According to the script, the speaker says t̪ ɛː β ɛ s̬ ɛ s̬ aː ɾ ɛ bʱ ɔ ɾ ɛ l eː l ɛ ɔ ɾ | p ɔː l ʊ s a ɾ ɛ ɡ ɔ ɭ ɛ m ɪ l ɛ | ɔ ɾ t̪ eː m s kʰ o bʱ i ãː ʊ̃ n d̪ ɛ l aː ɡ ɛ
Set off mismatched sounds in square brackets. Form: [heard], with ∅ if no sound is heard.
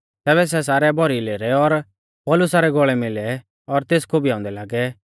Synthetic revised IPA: t̪ ɛː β ɛ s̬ ɛ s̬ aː ɾ ɛ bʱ ɔ ɾ [i] l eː [ɾ] ɛ ɔ ɾ | p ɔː l ʊ s a ɾ ɛ ɡ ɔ ɭ ɛ m ɪ l ɛ | ɔ ɾ t̪ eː [∅] s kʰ o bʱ i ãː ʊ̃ n d̪ ɛ l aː ɡ ɛ